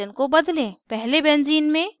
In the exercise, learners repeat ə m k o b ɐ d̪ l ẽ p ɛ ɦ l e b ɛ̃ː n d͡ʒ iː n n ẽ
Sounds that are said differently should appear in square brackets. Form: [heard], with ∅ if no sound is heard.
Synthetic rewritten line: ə [n] k o b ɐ d̪ l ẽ p ɛ ɦ l e b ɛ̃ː n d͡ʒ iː n [m] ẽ

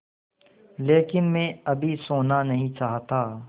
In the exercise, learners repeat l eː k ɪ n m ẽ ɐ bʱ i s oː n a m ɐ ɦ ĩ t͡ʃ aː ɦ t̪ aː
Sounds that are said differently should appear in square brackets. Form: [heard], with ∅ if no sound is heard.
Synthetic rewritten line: l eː k ɪ n m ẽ ɐ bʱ i s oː n a [n] ɐ ɦ ĩ t͡ʃ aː ɦ t̪ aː

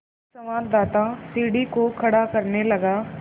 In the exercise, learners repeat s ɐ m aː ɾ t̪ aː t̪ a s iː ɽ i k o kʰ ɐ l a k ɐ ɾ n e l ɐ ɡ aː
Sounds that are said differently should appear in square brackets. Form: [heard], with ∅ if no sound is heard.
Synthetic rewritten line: s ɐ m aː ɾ [d̪] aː t̪ a s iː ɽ i k o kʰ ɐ [ɽ] a k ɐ ɾ n e l ɐ ɡ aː

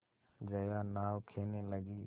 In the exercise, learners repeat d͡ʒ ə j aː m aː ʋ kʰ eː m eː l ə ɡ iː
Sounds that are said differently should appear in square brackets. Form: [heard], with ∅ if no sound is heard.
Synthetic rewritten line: d͡ʒ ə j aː [n] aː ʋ kʰ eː [n] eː l ə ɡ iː

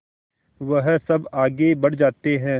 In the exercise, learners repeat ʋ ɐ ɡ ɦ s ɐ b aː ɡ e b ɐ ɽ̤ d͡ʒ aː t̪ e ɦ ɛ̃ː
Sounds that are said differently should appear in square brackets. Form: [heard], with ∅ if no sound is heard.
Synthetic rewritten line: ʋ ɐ [∅] ɦ s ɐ b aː ɡ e b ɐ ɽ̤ d͡ʒ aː t̪ e ɦ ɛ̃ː

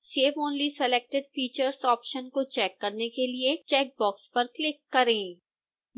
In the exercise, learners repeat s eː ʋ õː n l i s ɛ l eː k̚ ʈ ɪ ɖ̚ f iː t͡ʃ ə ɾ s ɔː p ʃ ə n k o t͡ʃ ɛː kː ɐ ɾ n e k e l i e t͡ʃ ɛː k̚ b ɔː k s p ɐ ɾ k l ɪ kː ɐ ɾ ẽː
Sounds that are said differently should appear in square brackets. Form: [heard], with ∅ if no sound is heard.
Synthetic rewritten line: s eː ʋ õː n l i s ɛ l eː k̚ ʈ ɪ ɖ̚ f iː t͡ʃ ə ɾ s ɔː p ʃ ə n k o t͡ʃ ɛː kː ɐ ɾ n e k e l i e t͡ʃ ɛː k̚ b ɔː k s p ɐ ɾ k l ɪ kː ɐ ɾ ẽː

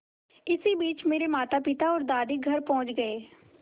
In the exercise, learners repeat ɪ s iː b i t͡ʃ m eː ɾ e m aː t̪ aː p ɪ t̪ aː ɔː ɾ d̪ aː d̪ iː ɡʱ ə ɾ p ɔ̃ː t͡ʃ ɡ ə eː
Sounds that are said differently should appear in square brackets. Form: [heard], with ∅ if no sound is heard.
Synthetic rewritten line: ɪ s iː b [iː] t͡ʃ m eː ɾ e m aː t̪ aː p ɪ t̪ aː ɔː ɾ d̪ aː d̪ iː ɡʱ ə ɾ p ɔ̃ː t͡ʃ ɡ ə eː

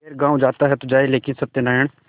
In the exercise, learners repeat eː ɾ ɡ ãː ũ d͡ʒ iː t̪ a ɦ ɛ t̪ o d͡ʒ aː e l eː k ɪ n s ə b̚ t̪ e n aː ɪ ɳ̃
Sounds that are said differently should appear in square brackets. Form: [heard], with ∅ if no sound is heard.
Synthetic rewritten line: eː ɾ ɡ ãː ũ d͡ʒ [aː] t̪ a ɦ ɛ t̪ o d͡ʒ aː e l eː k ɪ n s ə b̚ t̪ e n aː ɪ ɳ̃

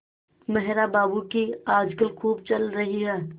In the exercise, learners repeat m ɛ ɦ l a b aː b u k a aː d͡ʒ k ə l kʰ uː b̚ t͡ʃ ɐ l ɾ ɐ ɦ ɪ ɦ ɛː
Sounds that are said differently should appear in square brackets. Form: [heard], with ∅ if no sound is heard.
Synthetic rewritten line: m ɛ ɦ [ɾ] a b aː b u k [i] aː d͡ʒ k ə l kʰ uː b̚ t͡ʃ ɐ l ɾ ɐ ɦ [i] ɦ ɛː

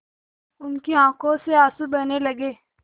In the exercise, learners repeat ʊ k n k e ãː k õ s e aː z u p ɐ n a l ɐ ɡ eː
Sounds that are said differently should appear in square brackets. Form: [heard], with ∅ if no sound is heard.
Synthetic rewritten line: ʊ [∅] n k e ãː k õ s e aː [s] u [b] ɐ n [e] l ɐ ɡ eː

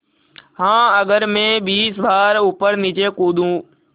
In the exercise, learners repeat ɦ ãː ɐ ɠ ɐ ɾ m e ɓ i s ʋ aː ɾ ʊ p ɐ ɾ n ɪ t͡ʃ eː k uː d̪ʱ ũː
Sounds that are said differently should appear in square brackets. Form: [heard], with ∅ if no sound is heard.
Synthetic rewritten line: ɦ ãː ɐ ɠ [ə] ɾ m [ẽ] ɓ [iː] s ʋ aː ɾ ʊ p [ə] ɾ n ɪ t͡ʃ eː k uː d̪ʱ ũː

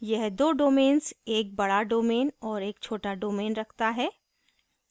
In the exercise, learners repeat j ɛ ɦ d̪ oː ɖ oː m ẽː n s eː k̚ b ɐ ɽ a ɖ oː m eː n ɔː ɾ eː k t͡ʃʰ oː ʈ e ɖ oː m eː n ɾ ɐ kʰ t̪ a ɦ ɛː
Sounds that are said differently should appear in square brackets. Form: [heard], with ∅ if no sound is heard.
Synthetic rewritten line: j ɛ ɦ d̪ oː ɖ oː m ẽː n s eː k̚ b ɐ ɽ a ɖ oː m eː n ɔː ɾ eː k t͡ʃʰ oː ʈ [a] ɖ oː m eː n ɾ ɐ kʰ t̪ a ɦ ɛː

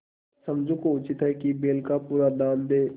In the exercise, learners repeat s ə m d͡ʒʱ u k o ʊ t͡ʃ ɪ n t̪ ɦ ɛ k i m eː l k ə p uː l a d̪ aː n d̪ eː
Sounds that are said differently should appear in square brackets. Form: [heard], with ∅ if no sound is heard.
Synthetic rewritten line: s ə m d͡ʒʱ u k o ʊ t͡ʃ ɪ [∅] t̪ ɦ ɛ k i [b] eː l k [a] p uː [ɾ] a d̪ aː n d̪ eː

